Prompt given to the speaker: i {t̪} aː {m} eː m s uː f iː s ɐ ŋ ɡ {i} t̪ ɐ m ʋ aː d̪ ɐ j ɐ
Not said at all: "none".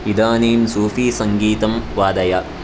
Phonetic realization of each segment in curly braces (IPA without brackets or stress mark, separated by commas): d̪, n, iː